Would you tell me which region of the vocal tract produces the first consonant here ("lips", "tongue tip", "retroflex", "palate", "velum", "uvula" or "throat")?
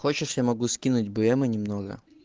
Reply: velum